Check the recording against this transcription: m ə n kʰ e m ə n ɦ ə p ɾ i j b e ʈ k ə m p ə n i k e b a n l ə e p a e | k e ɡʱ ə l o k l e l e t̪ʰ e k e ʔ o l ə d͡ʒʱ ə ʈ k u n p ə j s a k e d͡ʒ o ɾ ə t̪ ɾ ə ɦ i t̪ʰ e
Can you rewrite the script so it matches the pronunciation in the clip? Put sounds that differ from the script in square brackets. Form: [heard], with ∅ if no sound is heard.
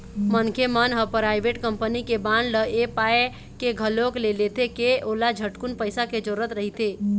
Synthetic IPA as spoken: m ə n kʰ e m ə n ɦ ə p ɾ [a] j b e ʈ k ə m p ə n i k e b a n l ə e p a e | k e ɡʱ ə l o k l e l e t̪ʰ e k e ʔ o l [a] d͡ʒʱ ə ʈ k u n p ə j s a k e d͡ʒ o ɾ ə t̪ ɾ ə ɦ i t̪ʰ e

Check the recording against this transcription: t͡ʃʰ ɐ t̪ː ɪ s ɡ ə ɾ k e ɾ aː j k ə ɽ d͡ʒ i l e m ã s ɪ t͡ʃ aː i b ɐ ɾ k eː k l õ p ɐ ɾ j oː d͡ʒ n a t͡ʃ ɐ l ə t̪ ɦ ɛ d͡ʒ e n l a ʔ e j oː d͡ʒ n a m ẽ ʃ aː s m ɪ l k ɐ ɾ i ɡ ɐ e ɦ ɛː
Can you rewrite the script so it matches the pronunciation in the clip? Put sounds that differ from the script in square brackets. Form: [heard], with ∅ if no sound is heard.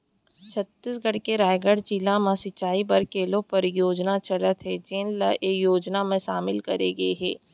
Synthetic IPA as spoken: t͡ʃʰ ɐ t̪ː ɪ s ɡ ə [ɽ] k e ɾ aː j [ɡ] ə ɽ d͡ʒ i l [a] m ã s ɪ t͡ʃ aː i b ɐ ɾ k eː [∅] l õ p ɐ ɾ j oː d͡ʒ n a t͡ʃ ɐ l ə t̪ ɦ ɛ d͡ʒ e n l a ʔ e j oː d͡ʒ n a m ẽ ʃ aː [∅] m ɪ l k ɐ ɾ [e] ɡ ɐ e ɦ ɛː

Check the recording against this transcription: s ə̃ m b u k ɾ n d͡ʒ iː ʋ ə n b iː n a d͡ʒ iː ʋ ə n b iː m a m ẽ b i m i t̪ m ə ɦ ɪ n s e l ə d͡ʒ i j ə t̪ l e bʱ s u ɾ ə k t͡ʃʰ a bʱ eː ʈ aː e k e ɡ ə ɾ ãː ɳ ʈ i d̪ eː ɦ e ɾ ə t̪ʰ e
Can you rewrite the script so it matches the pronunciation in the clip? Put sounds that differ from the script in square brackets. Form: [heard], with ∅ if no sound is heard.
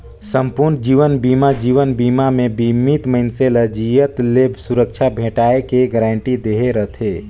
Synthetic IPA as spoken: s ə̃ m [p] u [∅] ɾ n d͡ʒ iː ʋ ə n b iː [m] a d͡ʒ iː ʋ ə n b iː m a m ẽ b i m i t̪ m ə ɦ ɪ n s e l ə d͡ʒ i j ə t̪ l e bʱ s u ɾ ə k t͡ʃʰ a bʱ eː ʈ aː e k e ɡ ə ɾ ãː ɳ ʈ i d̪ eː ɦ e ɾ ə t̪ʰ e

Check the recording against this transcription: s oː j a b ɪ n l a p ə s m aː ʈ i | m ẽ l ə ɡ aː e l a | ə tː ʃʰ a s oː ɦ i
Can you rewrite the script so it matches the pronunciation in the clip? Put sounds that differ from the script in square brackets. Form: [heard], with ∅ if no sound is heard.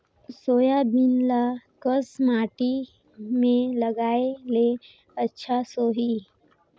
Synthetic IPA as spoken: s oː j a b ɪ n l a [k] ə s m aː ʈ i | m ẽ l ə ɡ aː e l [e] | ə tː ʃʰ a s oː ɦ i

